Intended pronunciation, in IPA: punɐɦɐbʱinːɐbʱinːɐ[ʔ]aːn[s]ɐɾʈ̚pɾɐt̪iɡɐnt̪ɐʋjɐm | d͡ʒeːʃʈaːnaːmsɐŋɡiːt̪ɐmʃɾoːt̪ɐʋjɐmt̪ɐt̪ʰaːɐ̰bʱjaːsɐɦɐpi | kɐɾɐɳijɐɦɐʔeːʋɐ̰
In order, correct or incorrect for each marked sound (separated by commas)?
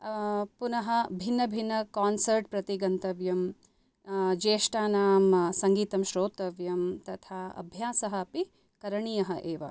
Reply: incorrect, correct